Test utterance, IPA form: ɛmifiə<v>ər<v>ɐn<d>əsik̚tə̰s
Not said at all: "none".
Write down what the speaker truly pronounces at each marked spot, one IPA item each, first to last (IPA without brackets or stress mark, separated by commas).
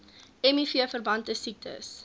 f, b, t